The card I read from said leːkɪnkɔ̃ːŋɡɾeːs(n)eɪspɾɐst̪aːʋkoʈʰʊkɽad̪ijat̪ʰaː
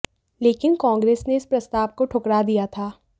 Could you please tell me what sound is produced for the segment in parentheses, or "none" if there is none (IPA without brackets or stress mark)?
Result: n